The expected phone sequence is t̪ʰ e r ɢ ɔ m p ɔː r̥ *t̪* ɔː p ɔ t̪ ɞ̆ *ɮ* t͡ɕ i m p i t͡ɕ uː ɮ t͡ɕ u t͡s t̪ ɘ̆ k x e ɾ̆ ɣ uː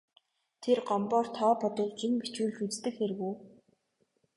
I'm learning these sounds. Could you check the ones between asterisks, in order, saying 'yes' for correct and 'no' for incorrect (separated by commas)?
no, yes